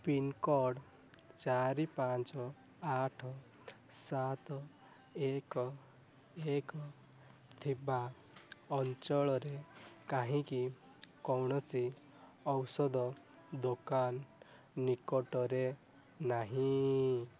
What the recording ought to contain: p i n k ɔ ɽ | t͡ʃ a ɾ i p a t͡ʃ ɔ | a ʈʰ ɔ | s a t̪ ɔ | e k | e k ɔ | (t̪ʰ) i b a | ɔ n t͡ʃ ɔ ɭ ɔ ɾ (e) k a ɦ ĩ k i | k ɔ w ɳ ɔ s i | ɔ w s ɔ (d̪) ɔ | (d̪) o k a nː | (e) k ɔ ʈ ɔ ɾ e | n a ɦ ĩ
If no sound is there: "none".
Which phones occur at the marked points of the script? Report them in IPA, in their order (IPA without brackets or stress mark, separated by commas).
t̪ʰ, e, d̪, d̪, i